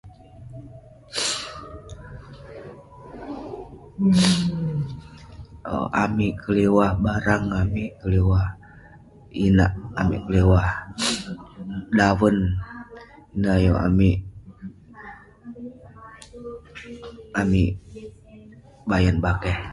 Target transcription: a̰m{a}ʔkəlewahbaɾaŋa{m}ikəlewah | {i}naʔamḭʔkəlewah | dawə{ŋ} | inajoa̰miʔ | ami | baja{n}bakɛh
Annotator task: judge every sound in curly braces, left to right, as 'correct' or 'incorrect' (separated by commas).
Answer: incorrect, correct, correct, incorrect, correct